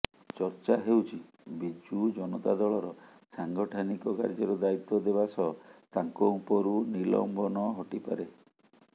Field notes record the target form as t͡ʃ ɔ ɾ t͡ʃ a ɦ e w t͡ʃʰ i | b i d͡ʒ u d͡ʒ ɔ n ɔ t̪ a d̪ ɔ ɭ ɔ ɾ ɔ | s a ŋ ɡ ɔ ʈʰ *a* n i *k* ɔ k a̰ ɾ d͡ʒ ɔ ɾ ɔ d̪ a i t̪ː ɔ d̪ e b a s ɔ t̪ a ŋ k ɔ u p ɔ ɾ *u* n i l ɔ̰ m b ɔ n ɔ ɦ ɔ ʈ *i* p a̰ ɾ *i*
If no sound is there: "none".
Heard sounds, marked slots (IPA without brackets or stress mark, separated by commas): a, k, u, i, e